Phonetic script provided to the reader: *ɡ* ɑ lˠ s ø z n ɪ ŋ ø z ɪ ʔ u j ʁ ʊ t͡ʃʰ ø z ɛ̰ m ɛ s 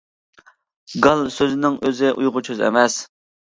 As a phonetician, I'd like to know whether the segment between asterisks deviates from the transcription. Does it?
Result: no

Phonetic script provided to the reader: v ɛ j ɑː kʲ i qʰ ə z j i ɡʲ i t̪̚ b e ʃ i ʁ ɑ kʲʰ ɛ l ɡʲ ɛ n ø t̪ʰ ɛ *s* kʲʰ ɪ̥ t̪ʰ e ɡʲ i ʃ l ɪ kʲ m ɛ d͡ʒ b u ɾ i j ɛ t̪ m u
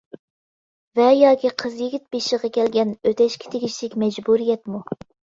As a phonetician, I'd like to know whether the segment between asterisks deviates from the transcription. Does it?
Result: yes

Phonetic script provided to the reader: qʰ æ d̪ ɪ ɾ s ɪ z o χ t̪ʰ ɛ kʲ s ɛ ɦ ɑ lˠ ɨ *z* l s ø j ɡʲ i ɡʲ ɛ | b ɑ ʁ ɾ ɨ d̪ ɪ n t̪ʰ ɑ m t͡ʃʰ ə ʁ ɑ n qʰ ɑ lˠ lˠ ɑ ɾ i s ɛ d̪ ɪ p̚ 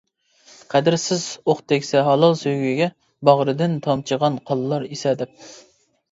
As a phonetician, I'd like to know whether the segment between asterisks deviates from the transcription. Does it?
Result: yes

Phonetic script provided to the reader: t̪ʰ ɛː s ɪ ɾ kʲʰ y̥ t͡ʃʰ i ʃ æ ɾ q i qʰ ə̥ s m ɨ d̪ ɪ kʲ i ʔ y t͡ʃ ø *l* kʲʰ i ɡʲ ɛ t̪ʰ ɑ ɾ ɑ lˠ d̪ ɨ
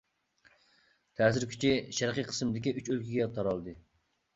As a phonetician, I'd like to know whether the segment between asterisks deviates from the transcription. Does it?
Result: no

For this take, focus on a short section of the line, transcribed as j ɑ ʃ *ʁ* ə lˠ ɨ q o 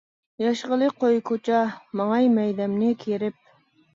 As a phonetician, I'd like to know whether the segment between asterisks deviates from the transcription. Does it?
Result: no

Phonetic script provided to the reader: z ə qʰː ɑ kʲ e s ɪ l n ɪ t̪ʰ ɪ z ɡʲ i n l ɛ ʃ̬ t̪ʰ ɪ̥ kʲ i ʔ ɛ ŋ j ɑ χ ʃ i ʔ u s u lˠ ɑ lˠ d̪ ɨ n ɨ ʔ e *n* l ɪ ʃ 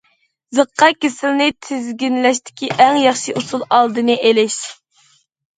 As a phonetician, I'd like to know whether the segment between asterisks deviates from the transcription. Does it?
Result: yes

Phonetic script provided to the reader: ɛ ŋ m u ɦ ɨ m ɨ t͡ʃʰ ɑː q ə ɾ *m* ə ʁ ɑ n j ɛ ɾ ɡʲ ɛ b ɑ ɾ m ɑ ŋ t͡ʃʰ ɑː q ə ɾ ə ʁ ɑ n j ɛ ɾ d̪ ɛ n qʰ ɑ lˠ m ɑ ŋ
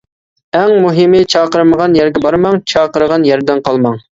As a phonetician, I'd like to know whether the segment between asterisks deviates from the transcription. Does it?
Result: no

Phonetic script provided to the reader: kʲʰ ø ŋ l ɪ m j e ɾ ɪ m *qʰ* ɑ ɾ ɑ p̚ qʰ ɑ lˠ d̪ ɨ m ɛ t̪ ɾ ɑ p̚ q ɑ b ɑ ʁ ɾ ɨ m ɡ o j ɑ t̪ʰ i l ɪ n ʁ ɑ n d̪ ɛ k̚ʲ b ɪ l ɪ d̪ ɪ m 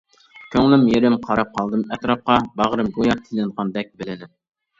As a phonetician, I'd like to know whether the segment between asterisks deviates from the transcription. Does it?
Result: no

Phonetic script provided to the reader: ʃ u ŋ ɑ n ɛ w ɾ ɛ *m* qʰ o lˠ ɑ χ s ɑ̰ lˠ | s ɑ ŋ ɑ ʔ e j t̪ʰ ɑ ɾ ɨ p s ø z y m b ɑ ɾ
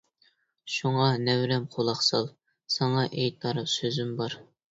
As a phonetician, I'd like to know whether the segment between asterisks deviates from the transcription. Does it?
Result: no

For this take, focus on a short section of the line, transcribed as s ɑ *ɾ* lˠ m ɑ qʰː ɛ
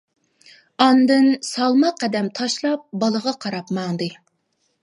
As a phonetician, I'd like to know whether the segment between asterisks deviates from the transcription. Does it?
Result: yes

